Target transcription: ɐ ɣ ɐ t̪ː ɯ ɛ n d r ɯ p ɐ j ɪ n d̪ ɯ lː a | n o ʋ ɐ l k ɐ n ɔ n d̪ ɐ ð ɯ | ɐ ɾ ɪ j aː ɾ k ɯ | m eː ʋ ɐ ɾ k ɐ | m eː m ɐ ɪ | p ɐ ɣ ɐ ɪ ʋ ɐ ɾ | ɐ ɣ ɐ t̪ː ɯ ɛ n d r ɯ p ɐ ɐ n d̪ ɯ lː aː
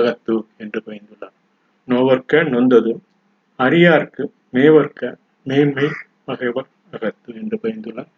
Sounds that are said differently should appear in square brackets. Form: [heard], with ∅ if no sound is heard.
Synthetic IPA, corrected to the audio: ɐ ɣ ɐ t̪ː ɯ ɛ n d r ɯ p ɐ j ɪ n d̪ ɯ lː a | n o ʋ ɐ [ɾ] k ɐ n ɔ n d̪ ɐ ð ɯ | ɐ ɾ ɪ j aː ɾ k ɯ | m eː ʋ ɐ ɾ k ɐ | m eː m ɐ ɪ | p ɐ ɣ ɐ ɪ ʋ ɐ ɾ | ɐ ɣ ɐ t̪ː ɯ ɛ n d r ɯ p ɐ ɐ n d̪ ɯ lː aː